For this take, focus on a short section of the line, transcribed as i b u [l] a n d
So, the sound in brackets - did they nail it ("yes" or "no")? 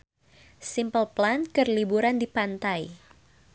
no